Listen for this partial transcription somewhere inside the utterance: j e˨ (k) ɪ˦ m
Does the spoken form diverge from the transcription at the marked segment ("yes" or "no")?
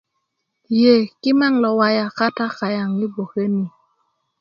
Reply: no